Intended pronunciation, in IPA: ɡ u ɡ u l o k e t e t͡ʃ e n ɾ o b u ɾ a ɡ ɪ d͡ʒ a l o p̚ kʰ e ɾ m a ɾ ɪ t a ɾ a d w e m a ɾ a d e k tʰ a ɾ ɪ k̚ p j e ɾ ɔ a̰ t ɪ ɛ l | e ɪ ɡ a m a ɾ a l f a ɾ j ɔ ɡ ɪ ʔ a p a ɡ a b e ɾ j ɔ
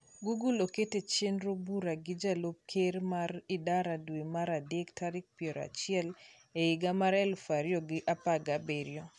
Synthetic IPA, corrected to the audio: ɡ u ɡ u l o k e t e t͡ʃ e n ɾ o b u ɾ a ɡ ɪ d͡ʒ a l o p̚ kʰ e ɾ m a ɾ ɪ d a ɾ a d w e m a ɾ a d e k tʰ a ɾ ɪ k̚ p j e ɾ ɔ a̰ t͡ʃ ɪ ɛ l | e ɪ ɡ a m a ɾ ɛ l f a ɾ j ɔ ɡ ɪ ʔ a p a ɡ a b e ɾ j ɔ